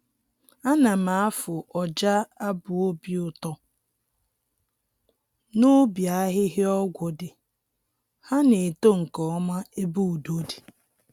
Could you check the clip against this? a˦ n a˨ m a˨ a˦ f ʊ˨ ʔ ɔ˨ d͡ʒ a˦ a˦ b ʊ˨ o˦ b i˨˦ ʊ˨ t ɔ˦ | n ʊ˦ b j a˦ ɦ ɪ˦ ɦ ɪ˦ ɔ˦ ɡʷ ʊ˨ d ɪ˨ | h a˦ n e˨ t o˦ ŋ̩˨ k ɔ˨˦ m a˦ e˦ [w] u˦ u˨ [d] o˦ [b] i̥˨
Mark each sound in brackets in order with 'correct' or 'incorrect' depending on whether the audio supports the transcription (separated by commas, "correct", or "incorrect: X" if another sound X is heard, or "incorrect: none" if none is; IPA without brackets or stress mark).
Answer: incorrect: b, correct, incorrect: d